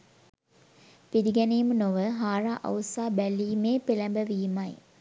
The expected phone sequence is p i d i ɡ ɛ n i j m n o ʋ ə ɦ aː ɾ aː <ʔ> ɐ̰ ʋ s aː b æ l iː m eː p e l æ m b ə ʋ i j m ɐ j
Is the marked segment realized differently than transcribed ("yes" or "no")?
no